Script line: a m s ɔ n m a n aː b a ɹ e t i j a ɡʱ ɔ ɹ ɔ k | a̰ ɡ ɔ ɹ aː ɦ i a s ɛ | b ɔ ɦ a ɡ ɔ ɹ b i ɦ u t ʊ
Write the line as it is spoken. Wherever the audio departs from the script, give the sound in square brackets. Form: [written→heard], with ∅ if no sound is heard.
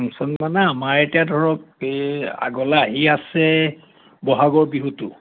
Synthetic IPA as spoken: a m s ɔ n m a n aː [b→m] a ɹ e t i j a [ɡʱ→dʱ] ɔ ɹ ɔ k | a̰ ɡ ɔ [ɹ→l] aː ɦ i a s ɛ | b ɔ ɦ a ɡ ɔ ɹ b i ɦ u t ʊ

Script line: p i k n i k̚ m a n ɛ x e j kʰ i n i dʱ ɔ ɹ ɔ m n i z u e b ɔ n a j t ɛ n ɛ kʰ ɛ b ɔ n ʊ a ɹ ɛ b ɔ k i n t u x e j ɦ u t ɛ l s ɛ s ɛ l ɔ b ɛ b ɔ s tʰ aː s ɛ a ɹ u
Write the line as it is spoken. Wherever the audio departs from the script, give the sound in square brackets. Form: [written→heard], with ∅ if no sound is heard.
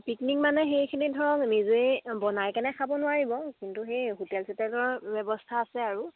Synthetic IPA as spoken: p i k n i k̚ m a n ɛ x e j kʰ i n i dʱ ɔ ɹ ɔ [m→ŋ] n i z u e b ɔ n a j [t→k] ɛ n ɛ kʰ [ɛ→a] b ɔ n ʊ a ɹ [ɛ→i] b ɔ k i n t u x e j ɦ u t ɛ l s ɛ [s→t] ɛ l ɔ b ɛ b ɔ s tʰ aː s ɛ a ɹ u

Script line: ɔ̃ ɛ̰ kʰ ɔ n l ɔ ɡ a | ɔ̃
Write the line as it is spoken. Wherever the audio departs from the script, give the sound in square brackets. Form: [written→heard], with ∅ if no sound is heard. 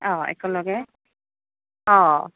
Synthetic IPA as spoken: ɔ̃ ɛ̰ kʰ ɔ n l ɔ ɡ [a→ɛ] | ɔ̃

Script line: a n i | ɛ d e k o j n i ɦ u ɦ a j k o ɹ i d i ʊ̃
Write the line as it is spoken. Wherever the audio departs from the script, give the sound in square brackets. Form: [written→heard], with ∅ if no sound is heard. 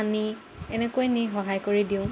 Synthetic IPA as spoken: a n i | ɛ [d→n] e k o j n i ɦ [u→ɔ] ɦ a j k o ɹ i d i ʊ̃

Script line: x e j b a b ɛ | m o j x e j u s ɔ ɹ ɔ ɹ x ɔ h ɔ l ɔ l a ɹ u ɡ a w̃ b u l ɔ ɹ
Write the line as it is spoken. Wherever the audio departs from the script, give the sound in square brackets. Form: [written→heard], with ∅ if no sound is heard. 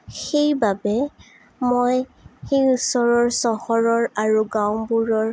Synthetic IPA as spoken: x e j b a b ɛ | m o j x e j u s ɔ ɹ ɔ ɹ [x→s] ɔ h ɔ [l→ɹ] ɔ [l→ɹ] a ɹ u ɡ a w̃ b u [l→ɹ] ɔ ɹ

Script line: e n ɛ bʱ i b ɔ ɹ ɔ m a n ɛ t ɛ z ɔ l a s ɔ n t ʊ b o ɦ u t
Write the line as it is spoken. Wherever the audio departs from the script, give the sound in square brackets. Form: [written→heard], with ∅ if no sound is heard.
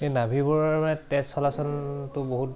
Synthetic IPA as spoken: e n [ɛ→a] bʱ i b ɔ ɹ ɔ m a n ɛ t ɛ [z→s] ɔ l a s ɔ n t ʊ b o ɦ u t

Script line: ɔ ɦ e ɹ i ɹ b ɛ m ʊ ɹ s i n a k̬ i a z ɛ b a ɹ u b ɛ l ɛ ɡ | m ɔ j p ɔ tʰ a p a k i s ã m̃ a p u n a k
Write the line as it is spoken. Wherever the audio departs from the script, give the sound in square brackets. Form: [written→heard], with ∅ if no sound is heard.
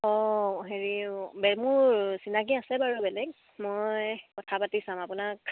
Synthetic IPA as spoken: ɔ ɦ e ɹ i [ɹ→∅] b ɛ m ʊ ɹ s i n a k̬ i a [z→s] ɛ b a ɹ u b ɛ l ɛ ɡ | m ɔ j [p→k] ɔ tʰ a p a [k→t] i s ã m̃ a p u n a k

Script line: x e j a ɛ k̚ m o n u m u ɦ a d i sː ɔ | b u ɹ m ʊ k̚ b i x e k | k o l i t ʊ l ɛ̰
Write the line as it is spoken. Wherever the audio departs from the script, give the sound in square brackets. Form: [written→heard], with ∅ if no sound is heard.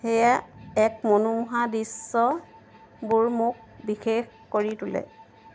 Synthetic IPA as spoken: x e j a ɛ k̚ m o n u m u ɦ a d i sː ɔ | b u ɹ m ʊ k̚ b i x e [k→x] | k o [l→ɹ] i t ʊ l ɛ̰

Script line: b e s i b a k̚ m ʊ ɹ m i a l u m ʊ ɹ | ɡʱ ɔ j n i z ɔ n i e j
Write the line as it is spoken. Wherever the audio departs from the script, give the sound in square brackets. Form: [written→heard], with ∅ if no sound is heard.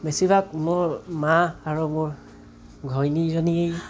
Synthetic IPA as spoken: b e s i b a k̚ m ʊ ɹ m [i→a] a [l→ɹ] u m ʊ ɹ | ɡʱ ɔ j n i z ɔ n i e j

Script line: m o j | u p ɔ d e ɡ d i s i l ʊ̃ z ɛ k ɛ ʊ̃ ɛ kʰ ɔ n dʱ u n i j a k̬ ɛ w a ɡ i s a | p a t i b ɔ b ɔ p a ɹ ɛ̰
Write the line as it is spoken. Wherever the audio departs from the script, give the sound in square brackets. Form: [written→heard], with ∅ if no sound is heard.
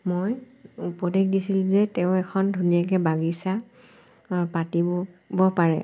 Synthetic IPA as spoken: m o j | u p ɔ d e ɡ d i s i l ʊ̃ z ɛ [k→t] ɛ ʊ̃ ɛ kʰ ɔ n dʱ u n i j a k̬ ɛ [w→b] a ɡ i s a | p a t i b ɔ b ɔ p a ɹ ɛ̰

